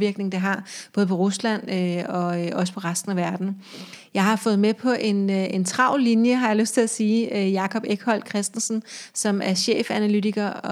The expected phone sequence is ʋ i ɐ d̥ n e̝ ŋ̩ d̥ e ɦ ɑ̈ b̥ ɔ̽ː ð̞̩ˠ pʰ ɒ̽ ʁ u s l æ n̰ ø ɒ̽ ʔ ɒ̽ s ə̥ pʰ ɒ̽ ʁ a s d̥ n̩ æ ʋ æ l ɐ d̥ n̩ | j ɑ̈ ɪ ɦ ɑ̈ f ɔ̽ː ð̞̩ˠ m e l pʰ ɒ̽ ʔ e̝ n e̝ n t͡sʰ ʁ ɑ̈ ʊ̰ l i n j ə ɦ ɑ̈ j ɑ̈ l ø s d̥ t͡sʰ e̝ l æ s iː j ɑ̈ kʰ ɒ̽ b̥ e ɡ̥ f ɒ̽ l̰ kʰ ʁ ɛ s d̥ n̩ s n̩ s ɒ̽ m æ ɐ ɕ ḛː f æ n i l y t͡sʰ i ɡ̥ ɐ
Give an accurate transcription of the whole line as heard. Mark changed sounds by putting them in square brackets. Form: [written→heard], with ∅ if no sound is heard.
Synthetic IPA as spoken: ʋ i ɐ [d̥→ɡ̥] n e̝ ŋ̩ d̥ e ɦ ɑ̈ b̥ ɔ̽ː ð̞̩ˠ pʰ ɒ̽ ʁ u s l æ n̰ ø ɒ̽ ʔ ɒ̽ s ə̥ pʰ ɒ̽ ʁ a s d̥ n̩ æ ʋ æ [l→∅] ɐ d̥ n̩ | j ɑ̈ ɪ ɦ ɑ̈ f ɔ̽ː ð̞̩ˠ m e [l→∅] pʰ ɒ̽ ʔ e̝ n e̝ n t͡sʰ ʁ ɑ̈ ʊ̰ l i n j ə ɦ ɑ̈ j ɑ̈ l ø s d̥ t͡sʰ e̝ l æ s iː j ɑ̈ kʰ ɒ̽ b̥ e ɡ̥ [f→h] ɒ̽ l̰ kʰ ʁ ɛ s d̥ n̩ s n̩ s ɒ̽ m æ ɐ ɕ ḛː f æ n [i→æ] l y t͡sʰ i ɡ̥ ɐ